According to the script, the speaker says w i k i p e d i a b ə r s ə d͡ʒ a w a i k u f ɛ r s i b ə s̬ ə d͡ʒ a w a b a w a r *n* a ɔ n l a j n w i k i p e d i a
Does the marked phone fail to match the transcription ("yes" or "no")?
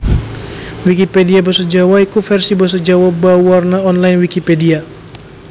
no